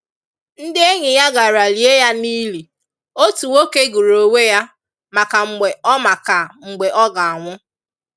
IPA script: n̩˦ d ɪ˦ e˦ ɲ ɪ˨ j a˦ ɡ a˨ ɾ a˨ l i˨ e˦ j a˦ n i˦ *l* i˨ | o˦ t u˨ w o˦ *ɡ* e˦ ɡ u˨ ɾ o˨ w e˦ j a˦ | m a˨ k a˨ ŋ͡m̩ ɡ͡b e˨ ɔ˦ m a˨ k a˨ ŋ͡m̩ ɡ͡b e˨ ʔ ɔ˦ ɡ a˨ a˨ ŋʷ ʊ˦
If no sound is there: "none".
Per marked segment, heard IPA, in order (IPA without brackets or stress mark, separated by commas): l, k